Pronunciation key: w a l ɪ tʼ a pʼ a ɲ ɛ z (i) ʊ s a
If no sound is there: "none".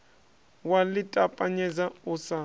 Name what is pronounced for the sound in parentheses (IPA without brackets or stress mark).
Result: a